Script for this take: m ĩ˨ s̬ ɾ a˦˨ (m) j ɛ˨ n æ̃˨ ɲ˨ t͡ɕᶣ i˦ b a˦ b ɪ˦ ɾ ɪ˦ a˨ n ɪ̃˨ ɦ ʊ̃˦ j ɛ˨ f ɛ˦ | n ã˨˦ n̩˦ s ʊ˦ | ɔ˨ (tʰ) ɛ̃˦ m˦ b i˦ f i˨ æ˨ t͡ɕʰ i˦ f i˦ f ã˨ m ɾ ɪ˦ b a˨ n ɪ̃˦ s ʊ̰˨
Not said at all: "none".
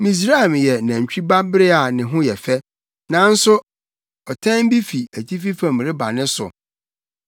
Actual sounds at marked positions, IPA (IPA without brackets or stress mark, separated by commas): m, tʰ